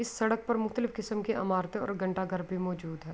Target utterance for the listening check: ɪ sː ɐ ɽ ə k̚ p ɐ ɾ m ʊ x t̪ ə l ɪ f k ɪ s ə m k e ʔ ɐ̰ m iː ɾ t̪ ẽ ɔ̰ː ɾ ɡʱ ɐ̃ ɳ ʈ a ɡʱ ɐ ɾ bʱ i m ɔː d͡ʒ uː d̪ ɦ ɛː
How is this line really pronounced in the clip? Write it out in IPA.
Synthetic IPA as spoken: ɪ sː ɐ ɽ ə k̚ p ɐ ɾ m ʊ x t̪ ə l ɪ f k ɪ s ə m k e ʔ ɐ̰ m aː ɾ t̪ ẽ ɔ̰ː ɾ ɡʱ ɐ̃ ɳ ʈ a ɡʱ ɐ ɾ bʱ i m ɔː d͡ʒ uː d̪ ɦ ɛː